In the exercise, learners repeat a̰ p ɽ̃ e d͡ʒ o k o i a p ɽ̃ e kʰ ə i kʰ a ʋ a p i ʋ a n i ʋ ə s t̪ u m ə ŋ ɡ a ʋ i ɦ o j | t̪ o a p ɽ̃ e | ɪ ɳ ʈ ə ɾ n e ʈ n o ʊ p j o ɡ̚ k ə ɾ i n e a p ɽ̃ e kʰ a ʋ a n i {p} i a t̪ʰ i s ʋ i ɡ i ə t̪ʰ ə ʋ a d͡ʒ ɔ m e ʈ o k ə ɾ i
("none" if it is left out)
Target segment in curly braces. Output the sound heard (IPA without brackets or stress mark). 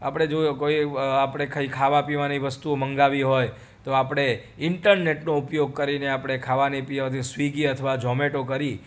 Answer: p